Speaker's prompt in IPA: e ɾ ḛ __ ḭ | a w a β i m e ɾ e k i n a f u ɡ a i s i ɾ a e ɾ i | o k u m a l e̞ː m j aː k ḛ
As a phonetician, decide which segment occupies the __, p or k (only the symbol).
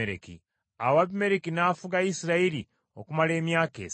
k